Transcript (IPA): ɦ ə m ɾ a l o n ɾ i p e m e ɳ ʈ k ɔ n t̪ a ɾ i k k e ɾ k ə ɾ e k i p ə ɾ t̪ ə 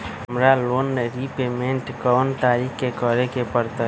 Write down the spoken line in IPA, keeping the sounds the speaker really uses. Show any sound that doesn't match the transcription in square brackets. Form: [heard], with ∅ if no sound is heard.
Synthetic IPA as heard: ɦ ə m ɾ a l o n ɾ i p e m e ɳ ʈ k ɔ n t̪ a ɾ i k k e [∅] k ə ɾ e k [e] p ə ɾ t̪ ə